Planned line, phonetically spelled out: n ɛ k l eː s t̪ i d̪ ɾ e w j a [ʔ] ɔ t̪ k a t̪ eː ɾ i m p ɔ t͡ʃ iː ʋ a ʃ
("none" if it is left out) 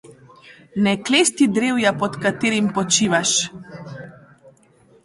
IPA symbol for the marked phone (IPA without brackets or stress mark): p